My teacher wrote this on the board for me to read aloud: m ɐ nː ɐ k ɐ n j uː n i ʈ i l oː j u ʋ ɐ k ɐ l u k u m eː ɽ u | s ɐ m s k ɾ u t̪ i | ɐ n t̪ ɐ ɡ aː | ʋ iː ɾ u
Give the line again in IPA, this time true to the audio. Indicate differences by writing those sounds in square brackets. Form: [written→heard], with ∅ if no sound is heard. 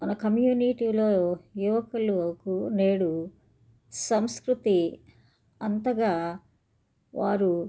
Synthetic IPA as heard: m ɐ [nː→n] ɐ k ɐ [n→m] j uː n i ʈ i l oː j u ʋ ɐ k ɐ l u k u [m→n] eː ɽ u | s ɐ m s k ɾ u t̪ i | ɐ n t̪ ɐ ɡ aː | ʋ [iː→aː] ɾ u